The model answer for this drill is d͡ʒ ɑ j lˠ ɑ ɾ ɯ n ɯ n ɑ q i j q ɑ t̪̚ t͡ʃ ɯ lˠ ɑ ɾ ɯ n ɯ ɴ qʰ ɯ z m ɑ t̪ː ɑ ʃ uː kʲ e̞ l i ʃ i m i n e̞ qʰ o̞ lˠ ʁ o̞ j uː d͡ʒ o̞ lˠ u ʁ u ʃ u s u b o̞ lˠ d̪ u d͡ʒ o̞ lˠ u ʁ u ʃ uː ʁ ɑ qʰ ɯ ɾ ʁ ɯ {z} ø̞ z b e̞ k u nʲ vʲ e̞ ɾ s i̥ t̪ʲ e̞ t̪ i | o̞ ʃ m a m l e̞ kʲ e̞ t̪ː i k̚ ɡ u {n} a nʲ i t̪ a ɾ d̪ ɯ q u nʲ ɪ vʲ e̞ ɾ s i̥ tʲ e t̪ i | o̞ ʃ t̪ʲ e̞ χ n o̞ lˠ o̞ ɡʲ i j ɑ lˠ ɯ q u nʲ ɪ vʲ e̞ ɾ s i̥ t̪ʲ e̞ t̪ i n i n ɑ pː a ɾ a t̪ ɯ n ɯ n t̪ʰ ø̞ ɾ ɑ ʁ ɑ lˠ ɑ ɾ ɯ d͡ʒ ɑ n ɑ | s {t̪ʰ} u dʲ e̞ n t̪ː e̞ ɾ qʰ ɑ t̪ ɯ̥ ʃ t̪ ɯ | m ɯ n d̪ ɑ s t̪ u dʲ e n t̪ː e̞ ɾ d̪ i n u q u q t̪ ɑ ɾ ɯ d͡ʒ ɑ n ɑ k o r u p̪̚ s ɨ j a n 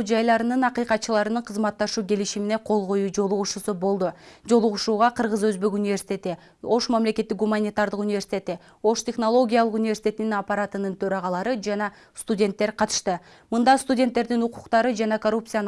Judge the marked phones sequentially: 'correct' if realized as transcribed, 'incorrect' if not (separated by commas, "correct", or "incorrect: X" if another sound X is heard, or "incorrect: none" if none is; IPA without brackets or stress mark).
correct, incorrect: m, incorrect: t̪